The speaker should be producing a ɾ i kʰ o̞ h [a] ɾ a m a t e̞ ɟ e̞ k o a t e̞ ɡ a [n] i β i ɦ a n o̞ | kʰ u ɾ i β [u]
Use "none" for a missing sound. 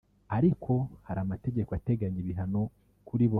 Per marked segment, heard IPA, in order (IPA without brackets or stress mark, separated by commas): a, ɲ, o